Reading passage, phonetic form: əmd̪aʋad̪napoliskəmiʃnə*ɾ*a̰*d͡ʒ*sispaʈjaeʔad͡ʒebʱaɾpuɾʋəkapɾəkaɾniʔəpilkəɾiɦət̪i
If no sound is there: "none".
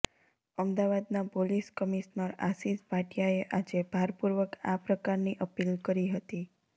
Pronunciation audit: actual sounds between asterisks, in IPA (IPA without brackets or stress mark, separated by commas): ɾ, none